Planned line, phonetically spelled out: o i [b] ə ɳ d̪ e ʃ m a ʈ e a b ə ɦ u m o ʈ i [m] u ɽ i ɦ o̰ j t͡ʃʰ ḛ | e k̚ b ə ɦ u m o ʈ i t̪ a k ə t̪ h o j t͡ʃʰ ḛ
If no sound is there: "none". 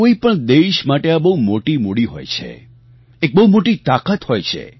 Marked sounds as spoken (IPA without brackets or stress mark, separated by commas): p, m